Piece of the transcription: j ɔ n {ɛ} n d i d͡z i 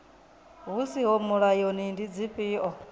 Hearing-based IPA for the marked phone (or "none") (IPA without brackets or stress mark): i